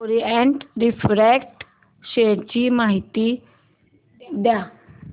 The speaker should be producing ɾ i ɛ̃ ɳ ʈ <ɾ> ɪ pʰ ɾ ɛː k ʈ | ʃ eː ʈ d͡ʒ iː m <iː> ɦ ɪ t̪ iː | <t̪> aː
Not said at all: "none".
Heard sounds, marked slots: ɾ, aː, d̪

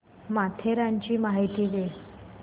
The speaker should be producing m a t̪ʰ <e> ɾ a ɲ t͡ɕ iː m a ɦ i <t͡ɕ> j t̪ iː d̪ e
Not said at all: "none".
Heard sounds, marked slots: e, none

